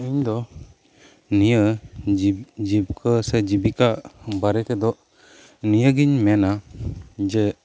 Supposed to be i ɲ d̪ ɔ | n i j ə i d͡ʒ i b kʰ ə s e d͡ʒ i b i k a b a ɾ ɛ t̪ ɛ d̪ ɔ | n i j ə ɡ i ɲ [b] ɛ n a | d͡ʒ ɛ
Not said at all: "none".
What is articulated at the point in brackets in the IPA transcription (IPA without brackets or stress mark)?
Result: m